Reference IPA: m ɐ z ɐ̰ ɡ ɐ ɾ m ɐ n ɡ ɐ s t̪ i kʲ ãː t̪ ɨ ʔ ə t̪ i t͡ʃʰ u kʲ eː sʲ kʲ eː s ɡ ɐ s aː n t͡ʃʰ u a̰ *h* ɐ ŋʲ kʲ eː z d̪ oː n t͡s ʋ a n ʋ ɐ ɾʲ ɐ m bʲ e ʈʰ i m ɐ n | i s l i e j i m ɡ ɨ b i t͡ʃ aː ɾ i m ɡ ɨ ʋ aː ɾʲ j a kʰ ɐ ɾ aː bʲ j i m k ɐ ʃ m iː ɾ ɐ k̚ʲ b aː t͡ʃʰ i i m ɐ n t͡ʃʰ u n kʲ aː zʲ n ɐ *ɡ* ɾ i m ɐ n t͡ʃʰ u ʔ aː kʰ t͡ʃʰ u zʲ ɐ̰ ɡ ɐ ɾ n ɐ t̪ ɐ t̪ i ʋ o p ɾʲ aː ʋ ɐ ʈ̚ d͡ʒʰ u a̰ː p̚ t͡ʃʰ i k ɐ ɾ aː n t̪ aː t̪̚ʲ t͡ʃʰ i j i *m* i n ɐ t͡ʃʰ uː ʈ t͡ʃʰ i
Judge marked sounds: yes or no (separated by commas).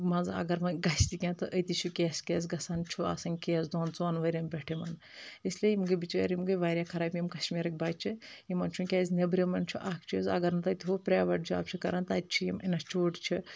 no, no, yes